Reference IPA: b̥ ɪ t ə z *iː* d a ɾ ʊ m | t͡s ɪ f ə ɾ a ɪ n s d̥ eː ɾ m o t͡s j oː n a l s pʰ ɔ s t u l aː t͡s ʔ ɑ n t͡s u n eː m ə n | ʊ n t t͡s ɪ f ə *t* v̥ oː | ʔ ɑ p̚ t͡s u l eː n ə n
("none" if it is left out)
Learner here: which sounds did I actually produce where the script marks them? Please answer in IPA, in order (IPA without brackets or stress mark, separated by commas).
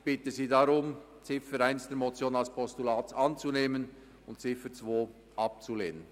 iː, t͡s